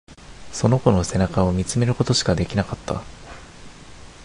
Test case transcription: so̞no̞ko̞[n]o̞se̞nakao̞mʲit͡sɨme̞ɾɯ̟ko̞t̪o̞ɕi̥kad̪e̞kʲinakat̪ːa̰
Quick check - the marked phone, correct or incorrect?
correct